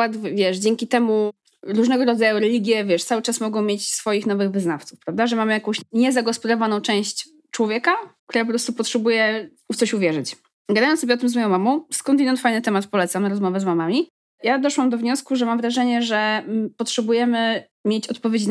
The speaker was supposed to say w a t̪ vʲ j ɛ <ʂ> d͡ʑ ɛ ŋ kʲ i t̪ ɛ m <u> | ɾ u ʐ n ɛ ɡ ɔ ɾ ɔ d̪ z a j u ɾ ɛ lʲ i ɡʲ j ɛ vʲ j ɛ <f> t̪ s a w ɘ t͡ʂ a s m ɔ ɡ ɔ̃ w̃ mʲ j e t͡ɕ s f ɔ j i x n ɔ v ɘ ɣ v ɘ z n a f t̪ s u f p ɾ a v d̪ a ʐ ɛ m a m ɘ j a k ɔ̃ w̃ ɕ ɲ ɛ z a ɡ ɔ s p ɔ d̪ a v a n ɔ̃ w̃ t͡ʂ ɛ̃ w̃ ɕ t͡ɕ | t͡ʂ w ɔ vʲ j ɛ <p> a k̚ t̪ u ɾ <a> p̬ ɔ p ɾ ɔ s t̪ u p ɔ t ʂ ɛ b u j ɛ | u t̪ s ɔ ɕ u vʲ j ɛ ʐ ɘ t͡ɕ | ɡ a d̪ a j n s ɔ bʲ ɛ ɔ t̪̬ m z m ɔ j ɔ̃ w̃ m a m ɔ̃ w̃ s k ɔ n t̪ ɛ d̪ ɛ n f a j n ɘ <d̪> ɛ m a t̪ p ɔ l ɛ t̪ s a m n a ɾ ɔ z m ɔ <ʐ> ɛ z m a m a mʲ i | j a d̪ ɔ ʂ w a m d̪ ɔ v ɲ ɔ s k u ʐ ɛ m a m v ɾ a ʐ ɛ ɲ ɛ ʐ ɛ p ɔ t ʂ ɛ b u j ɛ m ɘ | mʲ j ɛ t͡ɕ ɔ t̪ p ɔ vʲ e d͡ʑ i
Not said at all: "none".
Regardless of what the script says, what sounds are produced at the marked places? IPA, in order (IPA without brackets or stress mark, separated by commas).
ʂ, u, ʂ, k, a, t̪, v